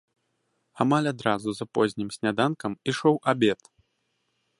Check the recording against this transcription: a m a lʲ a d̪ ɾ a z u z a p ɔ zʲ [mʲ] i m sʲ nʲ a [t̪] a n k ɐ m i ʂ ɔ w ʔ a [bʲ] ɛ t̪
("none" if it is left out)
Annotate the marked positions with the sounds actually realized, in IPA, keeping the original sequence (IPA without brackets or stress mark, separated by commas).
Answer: nʲ, d̪, bʲ